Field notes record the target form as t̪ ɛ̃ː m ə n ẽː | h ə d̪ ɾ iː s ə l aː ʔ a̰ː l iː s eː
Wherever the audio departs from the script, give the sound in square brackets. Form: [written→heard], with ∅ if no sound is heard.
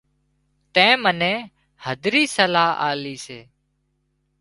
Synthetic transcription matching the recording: t̪ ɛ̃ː m ə n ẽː | h ə d̪ ɾ iː s ə l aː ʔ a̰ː l iː s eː

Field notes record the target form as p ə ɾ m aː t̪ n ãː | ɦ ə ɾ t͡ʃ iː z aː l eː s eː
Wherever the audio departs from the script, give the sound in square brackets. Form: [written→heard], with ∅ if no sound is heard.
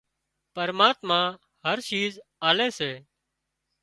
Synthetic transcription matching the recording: p ə ɾ m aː t̪ [n→m] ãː | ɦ ə ɾ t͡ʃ iː z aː l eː s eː

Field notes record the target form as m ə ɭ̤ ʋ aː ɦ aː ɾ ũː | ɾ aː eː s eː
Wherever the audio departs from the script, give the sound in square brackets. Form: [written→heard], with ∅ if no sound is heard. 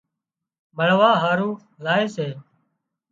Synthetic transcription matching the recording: m ə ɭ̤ ʋ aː ɦ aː ɾ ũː | [ɾ→l] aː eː s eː

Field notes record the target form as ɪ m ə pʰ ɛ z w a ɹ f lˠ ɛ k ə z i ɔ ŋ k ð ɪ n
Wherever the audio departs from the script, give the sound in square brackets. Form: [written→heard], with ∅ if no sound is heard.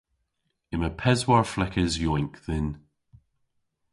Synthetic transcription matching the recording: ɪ m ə pʰ ɛ z w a ɹ f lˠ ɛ k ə z [i→j] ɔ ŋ k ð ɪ n

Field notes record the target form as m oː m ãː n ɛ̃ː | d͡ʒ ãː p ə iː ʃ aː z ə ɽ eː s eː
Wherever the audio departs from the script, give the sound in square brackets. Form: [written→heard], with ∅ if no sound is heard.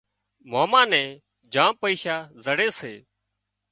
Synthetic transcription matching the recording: m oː m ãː n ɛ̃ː | d͡ʒ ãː p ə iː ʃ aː z ə ɽ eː s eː

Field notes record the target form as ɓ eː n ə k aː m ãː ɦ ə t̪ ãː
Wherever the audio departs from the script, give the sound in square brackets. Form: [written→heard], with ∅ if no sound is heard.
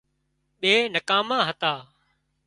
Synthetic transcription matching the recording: ɓ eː n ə k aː m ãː ɦ ə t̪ [ãː→aː]

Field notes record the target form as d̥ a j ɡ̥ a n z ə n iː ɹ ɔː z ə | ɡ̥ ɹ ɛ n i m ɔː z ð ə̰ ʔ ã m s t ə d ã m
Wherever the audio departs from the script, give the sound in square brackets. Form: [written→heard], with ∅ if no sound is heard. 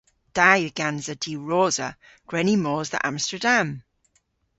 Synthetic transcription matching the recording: d̥ a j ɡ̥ a n z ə [n→d] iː ɹ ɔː z ə | ɡ̥ ɹ ɛ n i m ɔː z ð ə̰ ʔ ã m s t ə d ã m

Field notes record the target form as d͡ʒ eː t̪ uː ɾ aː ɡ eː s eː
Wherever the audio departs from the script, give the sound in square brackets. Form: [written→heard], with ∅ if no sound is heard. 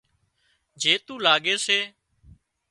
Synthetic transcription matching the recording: d͡ʒ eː t̪ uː [ɾ→l] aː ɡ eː s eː

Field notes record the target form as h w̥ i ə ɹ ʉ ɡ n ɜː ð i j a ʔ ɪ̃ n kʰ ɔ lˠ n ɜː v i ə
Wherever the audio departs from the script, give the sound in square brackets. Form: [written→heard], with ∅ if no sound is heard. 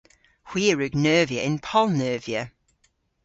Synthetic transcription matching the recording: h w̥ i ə ɹ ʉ ɡ n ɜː [ð→v] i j [a→ə] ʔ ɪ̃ n [kʰ→pʰ] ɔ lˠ n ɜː v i ə

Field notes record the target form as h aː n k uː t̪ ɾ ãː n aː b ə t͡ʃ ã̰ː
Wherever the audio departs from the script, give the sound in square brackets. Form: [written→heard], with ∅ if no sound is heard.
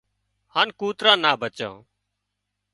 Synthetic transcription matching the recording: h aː n k uː t̪ ɾ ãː n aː b ə t͡ʃ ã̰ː

